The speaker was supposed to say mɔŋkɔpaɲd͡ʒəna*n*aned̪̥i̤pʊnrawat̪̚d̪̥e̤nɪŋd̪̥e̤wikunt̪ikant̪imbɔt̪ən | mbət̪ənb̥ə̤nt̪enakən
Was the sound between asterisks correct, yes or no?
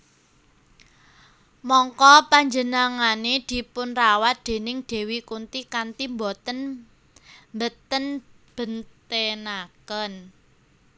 no